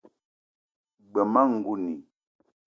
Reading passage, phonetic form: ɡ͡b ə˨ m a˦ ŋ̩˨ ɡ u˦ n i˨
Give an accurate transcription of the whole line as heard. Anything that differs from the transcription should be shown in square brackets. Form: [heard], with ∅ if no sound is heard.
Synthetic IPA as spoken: ɡ͡b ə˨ m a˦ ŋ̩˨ ɡ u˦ n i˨